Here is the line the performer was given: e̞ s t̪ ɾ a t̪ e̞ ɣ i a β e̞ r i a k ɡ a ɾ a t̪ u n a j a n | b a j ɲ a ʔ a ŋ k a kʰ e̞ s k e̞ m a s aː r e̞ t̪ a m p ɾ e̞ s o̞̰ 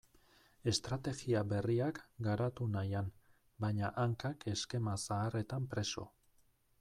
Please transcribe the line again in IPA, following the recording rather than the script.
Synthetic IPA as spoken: e̞ s t̪ ɾ a t̪ e̞ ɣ i a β e̞ r i a k ɡ a ɾ a t̪ u n a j a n | b a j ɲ a ʔ a ŋ k a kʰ e̞ s k e̞ m a s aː r e̞ t̪ a m p ɾ e̞ s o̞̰